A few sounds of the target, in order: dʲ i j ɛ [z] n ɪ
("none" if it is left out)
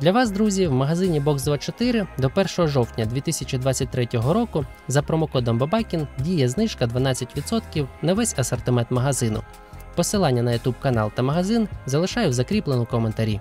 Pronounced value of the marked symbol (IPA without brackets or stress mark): z